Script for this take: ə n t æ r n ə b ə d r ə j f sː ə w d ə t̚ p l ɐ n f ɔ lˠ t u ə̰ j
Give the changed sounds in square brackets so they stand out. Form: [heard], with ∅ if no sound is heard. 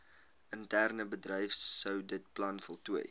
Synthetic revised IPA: ə n t æ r n ə b ə d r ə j f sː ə w d ə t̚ p l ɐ n f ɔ lˠ t u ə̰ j

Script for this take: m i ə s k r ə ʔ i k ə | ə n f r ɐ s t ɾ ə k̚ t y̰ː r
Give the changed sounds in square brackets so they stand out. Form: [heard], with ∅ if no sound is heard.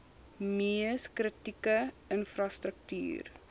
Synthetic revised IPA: m i ə s k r ə [t] i k ə | ə n f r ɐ s t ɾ ə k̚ t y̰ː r

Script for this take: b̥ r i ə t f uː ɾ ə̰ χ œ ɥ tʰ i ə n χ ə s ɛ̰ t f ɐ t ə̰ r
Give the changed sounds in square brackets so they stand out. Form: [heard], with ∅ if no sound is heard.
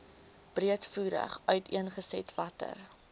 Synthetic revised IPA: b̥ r i ə t f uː ɾ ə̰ χ œ ɥ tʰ i ə n χ ə s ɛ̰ t [v] ɐ t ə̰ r

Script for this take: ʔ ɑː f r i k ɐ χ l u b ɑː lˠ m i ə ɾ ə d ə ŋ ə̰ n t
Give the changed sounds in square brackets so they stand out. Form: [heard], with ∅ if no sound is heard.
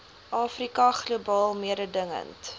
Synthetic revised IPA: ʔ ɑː f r i k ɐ χ l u b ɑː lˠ m i ə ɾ ə d ə ŋ ə̰ n t

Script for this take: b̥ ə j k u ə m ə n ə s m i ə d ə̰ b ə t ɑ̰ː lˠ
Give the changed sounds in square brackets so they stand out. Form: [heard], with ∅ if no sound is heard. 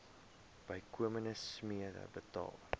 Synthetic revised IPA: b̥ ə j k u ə m ə n ə s m i ə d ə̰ b ə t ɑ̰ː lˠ

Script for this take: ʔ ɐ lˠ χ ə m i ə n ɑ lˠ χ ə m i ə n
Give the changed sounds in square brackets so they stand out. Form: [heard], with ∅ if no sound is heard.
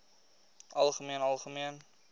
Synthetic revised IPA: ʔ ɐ lˠ χ ə m i ə n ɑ lˠ χ ə m i ə n

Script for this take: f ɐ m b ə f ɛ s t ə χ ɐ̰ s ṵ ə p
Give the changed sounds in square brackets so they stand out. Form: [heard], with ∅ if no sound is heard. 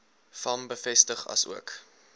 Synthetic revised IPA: f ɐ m b ə f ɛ s t ə χ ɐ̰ s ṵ ə [k]

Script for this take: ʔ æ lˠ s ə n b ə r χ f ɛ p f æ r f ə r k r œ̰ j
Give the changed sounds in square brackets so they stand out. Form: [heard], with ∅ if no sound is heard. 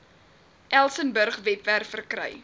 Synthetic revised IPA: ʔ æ lˠ s ə n b ə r χ [v] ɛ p [v] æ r f ə r k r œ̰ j

